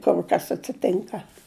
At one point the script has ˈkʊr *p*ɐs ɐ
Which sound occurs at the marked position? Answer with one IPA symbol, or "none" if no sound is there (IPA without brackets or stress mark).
k